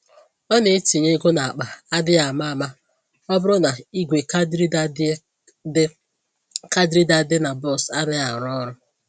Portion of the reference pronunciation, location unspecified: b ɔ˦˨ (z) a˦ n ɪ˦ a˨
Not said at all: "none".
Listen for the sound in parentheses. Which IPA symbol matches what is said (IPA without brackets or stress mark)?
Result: s